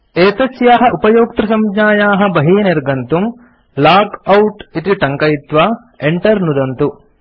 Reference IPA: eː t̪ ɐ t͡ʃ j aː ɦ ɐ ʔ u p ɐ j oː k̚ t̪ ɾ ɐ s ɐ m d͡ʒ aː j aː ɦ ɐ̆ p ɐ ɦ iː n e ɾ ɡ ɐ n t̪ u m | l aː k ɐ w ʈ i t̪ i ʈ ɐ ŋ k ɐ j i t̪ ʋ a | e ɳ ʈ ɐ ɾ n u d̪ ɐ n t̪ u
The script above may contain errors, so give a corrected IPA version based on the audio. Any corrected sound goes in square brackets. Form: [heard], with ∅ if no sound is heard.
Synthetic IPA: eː t̪ ɐ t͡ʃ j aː ɦ ɐ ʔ u p ɐ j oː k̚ t̪ ɾ ɐ s ɐ m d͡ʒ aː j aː ɦ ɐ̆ [b] ɐ ɦ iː n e ɾ ɡ ɐ n t̪ u m | l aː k ɐ w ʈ i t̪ i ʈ ɐ ŋ k ɐ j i t̪ ʋ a | e ɳ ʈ ɐ ɾ n u d̪ ɐ n t̪ u